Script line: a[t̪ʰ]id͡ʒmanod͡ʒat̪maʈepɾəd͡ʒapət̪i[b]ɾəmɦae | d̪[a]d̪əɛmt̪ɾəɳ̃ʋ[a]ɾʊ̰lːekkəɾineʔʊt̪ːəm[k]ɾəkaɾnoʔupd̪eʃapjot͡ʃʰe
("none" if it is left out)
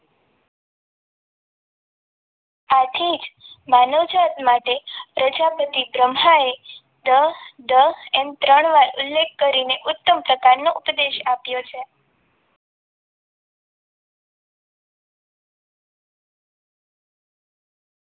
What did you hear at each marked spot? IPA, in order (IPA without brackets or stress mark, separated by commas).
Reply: t̪ʰ, b, ə, a, p